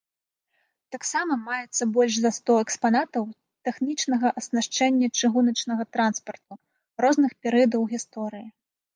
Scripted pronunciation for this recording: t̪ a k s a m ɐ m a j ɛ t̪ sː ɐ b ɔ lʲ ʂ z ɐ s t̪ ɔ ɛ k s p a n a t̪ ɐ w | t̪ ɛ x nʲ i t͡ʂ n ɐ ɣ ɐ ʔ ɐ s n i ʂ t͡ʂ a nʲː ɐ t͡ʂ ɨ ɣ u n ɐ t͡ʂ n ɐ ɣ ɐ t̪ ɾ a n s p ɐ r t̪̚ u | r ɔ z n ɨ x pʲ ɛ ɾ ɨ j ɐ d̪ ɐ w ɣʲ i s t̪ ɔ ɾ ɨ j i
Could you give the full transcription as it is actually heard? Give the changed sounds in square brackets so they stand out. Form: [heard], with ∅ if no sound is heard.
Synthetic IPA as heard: t̪ a k s a m ɐ m a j ɛ t̪ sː ɐ b ɔ lʲ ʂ z ɐ s t̪ ɔ ɛ k s p a n a t̪ ɐ w | t̪ ɛ x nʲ i t͡ʂ n ɐ ɣ ɐ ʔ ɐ s n [a] ʂ t͡ʂ [ɛ] nʲː ɐ t͡ʂ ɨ ɣ u n ɐ t͡ʂ n ɐ ɣ ɐ t̪ ɾ a n s p ɐ r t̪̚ u | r ɔ z n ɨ x pʲ ɛ ɾ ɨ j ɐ d̪ ɐ w ɣʲ i s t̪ ɔ ɾ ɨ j i